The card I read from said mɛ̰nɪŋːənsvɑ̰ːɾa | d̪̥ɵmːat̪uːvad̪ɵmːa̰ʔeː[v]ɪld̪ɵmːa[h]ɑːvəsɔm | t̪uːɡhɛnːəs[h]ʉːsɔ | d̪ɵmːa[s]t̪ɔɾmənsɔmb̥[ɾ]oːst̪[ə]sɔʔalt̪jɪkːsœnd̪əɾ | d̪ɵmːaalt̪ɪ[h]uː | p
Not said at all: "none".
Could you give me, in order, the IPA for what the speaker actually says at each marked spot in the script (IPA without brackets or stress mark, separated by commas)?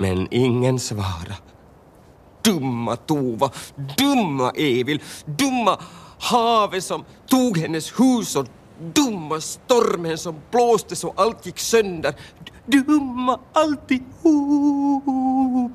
v, h, h, s, l, ə, h